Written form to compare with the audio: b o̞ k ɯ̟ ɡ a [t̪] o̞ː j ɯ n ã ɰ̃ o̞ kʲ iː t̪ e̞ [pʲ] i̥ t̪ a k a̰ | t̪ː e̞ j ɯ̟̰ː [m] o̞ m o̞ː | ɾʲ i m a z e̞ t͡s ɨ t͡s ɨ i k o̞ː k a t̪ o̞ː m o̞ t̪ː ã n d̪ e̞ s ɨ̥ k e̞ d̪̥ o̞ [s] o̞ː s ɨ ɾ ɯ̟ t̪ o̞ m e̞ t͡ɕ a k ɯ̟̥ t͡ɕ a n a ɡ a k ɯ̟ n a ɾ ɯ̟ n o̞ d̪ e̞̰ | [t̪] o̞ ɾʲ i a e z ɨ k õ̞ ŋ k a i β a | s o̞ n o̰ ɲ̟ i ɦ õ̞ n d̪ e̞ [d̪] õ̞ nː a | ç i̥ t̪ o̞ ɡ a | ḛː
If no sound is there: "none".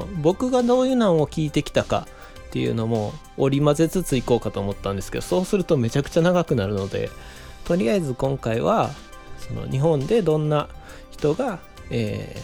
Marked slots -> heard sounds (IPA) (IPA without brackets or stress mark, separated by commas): d̪, kʲ, n, s, t̪, d̪